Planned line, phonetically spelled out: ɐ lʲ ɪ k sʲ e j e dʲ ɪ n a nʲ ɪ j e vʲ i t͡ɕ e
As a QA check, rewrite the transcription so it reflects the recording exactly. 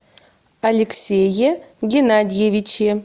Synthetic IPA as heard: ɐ lʲ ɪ k sʲ e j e ɡʲ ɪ n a dʲ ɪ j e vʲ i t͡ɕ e

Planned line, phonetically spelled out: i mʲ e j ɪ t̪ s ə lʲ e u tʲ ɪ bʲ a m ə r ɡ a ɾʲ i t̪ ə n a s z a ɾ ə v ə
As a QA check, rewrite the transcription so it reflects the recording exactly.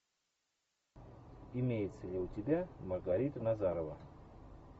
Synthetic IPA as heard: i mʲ e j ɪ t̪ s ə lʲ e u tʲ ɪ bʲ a m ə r ɡ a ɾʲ i t̪ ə n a z a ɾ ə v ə

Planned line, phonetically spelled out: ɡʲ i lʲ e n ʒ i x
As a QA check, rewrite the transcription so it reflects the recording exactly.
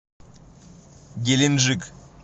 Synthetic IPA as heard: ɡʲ e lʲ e n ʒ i k

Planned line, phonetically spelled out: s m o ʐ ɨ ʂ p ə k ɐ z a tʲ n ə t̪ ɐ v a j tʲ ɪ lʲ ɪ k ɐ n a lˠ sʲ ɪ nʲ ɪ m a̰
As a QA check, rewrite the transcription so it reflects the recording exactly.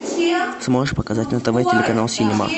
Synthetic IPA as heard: s m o ʐ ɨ ʂ p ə k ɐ z a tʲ n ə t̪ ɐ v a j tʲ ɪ lʲ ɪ k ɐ n a lˠ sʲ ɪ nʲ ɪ m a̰

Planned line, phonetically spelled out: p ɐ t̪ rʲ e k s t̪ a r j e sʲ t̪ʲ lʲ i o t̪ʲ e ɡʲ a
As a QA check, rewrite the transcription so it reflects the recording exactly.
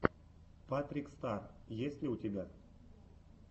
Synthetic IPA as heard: p a t̪ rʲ i k s t̪ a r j e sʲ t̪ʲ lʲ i u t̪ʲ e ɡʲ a

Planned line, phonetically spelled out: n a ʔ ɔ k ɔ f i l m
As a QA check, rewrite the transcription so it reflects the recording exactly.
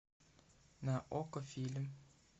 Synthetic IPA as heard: n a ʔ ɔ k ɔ f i l m

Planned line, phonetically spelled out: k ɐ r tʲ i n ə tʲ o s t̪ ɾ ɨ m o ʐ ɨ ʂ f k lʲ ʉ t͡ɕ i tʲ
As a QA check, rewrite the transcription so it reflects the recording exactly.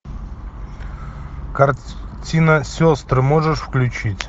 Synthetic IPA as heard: k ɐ r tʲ i n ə sʲ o s t̪ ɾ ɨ m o ʐ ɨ ʂ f k lʲ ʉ t͡ɕ i tʲ

